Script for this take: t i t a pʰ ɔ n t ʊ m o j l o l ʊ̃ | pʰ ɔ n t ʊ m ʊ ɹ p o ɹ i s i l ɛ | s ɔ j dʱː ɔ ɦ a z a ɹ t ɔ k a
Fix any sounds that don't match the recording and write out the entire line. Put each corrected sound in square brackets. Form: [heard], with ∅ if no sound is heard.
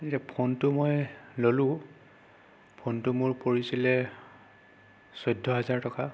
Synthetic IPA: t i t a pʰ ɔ n t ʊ m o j l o l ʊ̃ | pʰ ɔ n t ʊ m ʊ ɹ p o ɹ i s i l ɛ | s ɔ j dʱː ɔ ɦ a z a ɹ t ɔ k a